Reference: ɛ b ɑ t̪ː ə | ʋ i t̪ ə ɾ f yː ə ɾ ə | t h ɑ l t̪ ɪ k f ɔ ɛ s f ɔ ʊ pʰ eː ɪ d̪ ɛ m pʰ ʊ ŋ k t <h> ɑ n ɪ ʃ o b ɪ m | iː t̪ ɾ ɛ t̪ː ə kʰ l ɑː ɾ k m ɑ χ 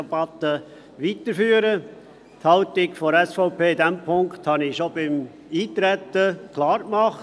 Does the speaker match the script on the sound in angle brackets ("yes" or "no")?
yes